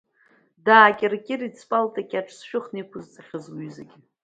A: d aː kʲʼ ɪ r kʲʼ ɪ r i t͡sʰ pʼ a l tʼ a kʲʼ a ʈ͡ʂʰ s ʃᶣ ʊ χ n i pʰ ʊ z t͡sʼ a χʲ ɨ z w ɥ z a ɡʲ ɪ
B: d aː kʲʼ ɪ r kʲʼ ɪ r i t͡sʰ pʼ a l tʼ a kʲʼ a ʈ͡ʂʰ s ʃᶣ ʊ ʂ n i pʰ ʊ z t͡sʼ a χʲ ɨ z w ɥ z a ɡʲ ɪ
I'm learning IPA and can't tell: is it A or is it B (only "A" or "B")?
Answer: A